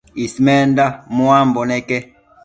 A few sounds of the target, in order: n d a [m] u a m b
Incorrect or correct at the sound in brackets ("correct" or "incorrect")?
correct